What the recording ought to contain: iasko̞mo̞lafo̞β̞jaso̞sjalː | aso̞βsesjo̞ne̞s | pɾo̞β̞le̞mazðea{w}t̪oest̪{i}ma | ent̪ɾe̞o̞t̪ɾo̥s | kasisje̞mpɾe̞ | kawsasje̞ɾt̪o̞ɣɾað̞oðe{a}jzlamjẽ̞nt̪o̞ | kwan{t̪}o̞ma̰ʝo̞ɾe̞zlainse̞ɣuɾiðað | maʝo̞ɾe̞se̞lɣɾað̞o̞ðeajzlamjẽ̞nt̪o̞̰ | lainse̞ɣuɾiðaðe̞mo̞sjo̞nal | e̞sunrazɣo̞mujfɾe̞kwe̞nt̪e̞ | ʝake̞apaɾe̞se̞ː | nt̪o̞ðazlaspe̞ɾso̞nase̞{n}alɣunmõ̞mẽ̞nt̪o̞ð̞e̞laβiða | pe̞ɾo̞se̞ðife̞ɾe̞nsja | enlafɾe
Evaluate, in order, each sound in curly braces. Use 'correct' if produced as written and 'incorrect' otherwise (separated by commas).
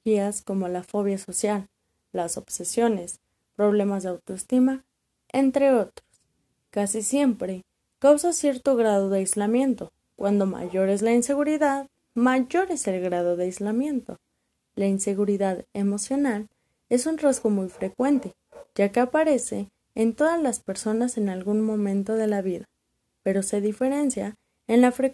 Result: correct, correct, correct, incorrect, correct